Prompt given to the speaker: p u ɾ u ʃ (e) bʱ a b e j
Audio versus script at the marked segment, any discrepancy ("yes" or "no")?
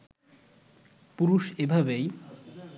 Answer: no